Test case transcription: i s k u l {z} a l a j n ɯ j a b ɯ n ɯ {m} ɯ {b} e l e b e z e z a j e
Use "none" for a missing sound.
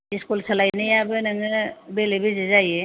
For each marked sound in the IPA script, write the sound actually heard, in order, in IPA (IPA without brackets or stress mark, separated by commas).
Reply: s, ŋ, b